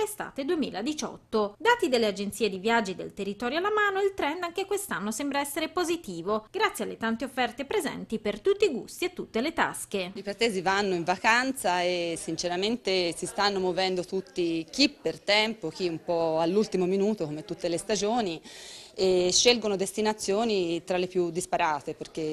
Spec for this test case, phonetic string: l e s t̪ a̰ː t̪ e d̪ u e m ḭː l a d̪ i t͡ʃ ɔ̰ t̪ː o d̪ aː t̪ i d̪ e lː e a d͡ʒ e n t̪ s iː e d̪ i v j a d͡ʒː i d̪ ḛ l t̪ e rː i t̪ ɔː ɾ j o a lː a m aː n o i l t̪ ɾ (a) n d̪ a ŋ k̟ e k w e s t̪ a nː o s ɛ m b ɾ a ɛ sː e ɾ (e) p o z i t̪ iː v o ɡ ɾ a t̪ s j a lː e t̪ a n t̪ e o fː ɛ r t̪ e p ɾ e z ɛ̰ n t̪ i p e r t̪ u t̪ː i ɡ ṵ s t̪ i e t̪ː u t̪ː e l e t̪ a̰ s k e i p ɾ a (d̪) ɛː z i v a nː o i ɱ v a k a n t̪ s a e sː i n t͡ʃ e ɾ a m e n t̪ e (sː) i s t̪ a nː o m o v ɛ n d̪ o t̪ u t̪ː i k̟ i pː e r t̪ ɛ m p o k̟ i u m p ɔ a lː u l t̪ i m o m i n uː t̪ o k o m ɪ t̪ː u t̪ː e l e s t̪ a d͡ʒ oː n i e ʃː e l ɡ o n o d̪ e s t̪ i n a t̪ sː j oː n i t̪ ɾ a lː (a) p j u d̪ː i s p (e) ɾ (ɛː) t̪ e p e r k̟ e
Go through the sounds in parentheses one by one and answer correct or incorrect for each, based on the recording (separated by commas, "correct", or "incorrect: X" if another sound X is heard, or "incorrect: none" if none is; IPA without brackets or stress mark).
incorrect: ɛ, correct, incorrect: t̪, incorrect: s, incorrect: e, incorrect: a, incorrect: aː